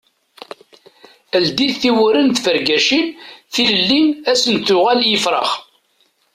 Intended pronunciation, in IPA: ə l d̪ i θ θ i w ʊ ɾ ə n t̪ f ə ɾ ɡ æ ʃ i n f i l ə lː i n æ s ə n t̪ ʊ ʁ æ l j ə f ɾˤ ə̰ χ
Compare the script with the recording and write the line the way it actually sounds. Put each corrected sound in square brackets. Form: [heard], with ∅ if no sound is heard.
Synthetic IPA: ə l d̪ i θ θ i w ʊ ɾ ə n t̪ f ə ɾ ɡ æ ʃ i n [θ] i l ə lː i n æ s ə n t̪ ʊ ʁ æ l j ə f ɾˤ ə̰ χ